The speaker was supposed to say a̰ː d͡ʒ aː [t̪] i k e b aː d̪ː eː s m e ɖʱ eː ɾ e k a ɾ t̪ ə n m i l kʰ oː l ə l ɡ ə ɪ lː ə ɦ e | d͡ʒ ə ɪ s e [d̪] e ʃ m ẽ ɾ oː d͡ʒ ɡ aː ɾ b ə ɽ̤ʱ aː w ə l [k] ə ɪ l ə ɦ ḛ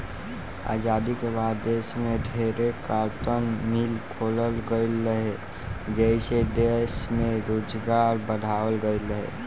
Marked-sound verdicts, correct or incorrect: incorrect, correct, incorrect

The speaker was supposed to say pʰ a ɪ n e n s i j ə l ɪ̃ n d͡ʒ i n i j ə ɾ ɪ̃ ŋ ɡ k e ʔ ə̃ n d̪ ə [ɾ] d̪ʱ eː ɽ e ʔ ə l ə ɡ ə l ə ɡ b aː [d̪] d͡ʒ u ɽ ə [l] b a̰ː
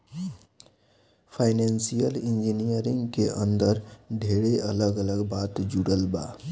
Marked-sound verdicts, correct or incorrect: correct, incorrect, correct

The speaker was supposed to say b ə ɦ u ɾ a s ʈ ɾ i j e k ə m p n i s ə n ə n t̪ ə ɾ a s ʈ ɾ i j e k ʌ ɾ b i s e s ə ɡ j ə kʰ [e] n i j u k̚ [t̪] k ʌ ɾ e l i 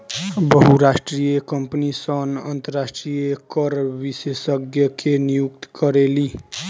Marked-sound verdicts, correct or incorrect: correct, correct

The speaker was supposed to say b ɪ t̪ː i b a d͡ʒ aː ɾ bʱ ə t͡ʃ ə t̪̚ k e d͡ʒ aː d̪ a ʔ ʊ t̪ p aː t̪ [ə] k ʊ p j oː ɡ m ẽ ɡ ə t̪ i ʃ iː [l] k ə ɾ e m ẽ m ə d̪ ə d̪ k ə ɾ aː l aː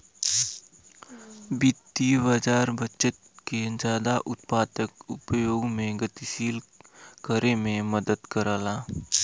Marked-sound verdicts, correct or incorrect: correct, correct

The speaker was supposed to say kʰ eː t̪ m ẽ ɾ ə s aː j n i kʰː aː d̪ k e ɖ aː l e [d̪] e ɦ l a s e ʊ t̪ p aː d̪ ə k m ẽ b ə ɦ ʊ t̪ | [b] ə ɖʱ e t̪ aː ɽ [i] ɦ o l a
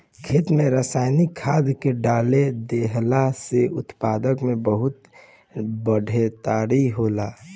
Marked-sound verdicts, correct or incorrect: correct, correct, correct

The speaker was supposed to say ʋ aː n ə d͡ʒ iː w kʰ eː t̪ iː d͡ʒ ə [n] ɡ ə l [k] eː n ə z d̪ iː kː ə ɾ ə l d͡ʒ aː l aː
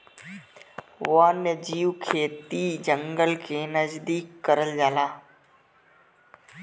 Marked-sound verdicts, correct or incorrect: incorrect, incorrect

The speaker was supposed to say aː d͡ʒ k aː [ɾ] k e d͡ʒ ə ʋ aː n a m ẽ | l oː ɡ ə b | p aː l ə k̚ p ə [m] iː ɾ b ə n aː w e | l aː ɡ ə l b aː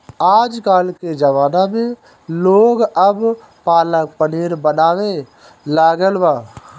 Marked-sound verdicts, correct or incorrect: incorrect, incorrect

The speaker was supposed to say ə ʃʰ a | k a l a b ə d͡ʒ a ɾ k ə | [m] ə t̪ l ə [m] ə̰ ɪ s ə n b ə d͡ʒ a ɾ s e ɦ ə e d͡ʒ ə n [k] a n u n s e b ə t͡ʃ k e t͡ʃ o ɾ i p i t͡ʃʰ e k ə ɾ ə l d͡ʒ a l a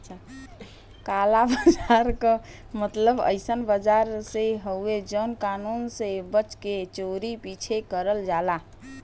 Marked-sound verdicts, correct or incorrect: correct, incorrect, correct

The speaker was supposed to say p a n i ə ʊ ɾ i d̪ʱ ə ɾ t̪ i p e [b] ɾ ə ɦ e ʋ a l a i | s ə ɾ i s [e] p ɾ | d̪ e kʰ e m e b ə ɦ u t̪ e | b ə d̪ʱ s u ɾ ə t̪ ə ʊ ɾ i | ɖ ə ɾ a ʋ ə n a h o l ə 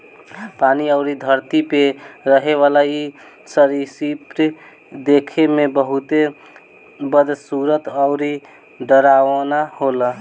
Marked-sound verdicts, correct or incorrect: incorrect, incorrect

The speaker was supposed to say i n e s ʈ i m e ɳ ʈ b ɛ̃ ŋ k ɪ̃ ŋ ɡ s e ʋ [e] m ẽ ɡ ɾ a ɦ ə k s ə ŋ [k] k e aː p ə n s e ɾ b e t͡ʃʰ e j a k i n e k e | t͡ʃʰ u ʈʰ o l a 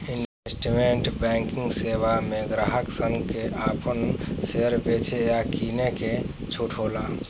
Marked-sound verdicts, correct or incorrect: incorrect, incorrect

